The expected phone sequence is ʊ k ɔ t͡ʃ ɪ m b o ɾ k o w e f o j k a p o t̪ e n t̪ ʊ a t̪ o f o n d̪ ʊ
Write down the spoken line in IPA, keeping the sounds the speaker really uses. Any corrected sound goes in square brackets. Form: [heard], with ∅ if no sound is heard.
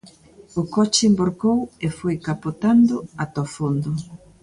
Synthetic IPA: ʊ k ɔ t͡ʃ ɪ m b o ɾ k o w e f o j k a p o t̪ [a] n [d̪] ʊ a t̪ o f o n d̪ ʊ